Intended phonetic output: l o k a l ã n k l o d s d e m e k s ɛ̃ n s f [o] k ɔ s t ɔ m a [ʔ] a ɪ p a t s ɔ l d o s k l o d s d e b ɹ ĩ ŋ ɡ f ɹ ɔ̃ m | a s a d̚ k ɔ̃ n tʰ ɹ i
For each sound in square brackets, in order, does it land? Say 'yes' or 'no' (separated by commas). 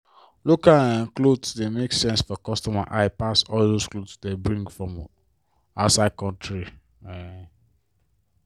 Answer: no, yes